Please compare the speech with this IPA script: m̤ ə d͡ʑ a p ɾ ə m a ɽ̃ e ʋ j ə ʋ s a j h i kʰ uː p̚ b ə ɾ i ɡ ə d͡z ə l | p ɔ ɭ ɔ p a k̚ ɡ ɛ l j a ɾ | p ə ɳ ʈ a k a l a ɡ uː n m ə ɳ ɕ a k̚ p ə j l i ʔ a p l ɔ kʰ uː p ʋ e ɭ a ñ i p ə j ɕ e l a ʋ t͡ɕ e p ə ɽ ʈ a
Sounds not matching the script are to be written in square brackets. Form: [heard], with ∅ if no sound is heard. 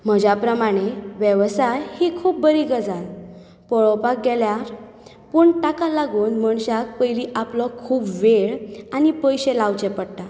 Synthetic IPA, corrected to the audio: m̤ ə d͡ʑ a p ɾ ə m a ɽ̃ e ʋ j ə ʋ s a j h i kʰ uː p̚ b ə ɾ i ɡ ə d͡z [a] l | p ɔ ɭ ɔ p a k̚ ɡ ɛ l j a ɾ | p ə ɳ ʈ a k a l a ɡ uː n m ə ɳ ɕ a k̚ p ə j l i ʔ a p l ɔ kʰ uː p ʋ e ɭ a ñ i p ə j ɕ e l a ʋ t͡ɕ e p ə ɽ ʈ a